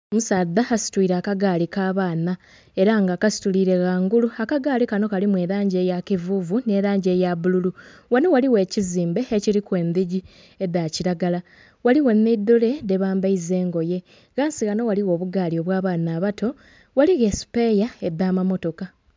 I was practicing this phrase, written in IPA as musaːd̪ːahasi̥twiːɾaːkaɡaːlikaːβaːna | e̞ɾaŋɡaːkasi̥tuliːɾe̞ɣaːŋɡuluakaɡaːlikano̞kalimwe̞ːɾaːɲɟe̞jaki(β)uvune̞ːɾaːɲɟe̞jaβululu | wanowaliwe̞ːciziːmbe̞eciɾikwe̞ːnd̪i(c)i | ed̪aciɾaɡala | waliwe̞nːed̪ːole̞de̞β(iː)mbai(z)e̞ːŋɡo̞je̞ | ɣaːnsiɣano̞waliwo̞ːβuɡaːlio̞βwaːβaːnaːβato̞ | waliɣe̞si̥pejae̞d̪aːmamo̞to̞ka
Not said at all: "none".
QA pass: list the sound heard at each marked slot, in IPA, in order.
v, ɟ, aː, z

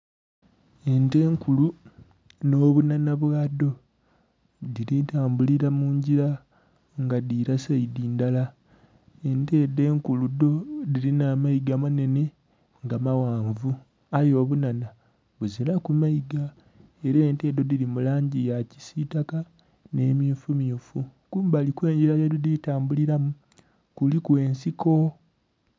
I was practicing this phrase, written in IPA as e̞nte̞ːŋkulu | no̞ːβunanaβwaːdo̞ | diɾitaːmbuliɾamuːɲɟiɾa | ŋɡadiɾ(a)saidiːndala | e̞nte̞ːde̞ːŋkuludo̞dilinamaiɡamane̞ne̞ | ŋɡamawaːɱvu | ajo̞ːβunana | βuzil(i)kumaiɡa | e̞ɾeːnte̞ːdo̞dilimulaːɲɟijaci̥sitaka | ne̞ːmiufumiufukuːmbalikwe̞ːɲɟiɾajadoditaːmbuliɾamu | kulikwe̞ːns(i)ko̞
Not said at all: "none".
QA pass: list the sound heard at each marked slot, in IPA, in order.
a, a, i

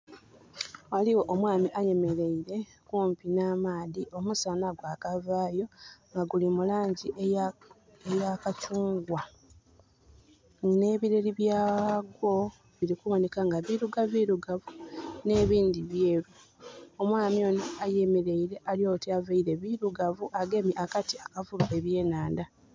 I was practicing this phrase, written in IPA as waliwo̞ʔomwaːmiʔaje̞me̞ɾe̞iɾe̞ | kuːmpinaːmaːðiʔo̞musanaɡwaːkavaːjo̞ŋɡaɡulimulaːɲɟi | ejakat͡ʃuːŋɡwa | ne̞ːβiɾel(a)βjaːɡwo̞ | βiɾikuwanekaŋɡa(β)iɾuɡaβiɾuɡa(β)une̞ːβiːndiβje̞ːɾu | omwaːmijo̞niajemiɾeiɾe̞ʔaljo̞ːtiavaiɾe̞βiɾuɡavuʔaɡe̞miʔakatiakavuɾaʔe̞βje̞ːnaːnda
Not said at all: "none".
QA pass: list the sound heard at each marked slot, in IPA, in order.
i, β, v

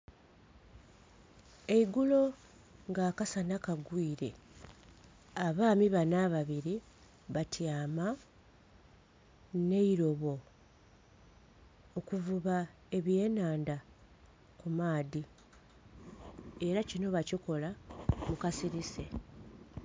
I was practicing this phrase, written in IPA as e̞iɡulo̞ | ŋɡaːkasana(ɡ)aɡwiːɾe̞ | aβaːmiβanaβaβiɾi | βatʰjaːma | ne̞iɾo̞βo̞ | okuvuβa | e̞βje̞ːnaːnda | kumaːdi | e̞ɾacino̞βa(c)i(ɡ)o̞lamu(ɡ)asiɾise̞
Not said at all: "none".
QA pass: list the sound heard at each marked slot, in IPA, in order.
k, c, k, k

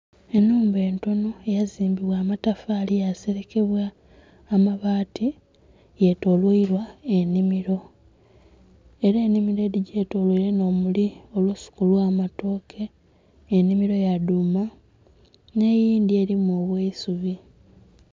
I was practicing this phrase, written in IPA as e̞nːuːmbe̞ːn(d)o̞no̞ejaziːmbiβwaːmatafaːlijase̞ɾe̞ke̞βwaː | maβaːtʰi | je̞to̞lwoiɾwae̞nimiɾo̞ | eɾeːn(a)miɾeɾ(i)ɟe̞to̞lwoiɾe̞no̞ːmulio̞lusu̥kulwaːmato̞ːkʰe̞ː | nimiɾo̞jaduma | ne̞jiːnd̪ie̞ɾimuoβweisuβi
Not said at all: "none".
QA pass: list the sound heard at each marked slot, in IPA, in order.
t, i, i

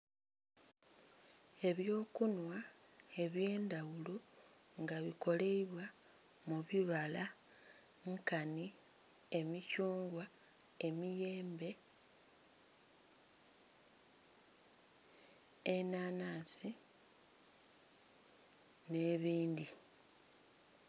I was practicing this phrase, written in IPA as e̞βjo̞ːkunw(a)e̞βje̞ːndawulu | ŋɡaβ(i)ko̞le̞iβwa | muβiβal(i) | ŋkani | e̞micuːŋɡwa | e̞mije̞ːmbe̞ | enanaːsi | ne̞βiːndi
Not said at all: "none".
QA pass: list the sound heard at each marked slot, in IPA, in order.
a, i, a

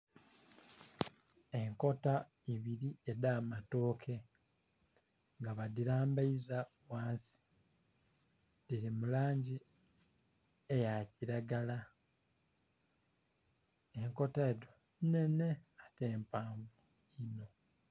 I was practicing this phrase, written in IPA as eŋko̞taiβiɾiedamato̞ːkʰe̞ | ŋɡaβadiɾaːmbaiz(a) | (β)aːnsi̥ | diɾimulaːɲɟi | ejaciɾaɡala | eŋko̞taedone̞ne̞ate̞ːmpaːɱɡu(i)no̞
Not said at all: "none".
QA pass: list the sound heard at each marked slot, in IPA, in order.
a, w, i

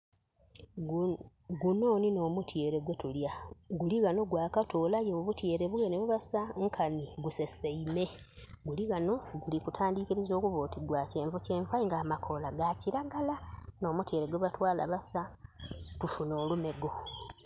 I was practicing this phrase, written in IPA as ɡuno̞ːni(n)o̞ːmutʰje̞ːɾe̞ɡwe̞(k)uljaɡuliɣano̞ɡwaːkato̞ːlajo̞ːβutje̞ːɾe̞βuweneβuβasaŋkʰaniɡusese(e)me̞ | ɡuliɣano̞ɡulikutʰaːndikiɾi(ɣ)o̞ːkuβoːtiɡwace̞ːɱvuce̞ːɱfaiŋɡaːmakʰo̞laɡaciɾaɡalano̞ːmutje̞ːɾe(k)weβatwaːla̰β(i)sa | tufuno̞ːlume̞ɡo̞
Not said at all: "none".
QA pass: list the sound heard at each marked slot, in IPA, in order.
n, t, i, z, ɡ, a

